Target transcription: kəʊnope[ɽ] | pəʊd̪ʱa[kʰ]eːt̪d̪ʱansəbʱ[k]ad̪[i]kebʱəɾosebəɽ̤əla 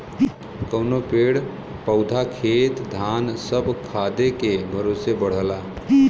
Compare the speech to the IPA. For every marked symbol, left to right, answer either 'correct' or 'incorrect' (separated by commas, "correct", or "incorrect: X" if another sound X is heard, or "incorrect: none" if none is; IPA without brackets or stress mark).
correct, correct, incorrect: kʰ, incorrect: e